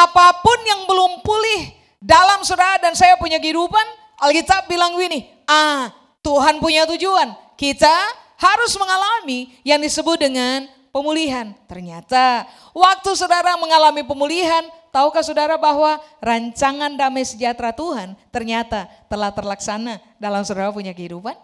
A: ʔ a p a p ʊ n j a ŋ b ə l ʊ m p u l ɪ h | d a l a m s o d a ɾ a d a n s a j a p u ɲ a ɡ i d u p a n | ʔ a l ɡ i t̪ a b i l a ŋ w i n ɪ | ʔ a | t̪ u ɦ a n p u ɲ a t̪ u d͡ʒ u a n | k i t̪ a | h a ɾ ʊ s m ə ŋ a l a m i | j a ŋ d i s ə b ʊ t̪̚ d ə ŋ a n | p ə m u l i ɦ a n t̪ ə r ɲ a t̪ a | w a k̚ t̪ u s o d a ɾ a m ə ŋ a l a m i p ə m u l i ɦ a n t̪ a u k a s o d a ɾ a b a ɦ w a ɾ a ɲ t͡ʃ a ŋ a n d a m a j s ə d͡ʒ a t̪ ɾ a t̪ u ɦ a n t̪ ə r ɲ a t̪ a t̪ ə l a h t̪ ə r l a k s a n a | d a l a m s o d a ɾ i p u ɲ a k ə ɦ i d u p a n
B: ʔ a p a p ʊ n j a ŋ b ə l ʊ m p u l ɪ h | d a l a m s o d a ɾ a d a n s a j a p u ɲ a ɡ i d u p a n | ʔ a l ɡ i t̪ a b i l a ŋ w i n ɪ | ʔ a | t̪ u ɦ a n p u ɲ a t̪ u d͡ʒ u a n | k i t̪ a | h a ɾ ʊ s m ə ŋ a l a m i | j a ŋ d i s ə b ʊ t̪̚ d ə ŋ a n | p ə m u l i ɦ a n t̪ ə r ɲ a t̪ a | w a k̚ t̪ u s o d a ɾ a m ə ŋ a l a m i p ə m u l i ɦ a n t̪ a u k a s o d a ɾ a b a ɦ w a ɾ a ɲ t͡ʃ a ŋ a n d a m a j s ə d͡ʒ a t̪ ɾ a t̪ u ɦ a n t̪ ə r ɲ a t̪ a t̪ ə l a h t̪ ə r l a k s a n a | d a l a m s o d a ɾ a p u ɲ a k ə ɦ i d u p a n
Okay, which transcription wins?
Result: B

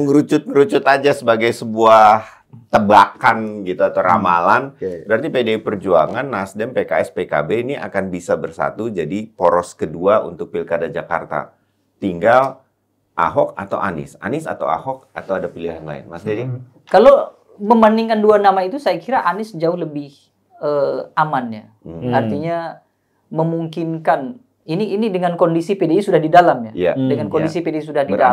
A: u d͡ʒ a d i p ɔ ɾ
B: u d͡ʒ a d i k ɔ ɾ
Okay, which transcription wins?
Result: A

